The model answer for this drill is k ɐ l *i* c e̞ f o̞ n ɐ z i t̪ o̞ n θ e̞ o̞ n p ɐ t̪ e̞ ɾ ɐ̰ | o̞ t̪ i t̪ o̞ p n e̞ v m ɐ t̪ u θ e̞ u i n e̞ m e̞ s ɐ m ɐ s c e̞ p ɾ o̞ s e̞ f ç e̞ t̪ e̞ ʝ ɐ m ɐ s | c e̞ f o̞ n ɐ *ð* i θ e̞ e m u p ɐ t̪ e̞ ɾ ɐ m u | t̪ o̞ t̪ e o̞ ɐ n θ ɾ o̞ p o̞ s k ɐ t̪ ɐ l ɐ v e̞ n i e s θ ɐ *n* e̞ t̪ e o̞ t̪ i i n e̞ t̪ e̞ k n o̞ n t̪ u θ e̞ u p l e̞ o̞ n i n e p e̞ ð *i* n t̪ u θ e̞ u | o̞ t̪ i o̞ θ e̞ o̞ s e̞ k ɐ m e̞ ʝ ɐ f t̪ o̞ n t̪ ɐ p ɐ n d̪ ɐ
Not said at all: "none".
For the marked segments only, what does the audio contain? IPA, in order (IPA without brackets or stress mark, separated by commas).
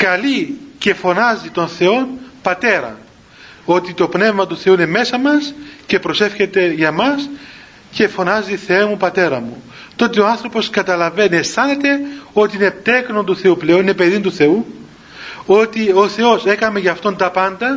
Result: i, z, n, i